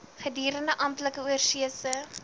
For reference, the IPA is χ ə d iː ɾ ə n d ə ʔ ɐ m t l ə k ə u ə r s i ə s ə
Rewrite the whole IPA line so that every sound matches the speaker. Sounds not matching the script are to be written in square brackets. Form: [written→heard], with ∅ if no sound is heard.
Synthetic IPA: χ ə d iː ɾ ə n d ə ʔ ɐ m t l ə k ə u ə r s i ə s ə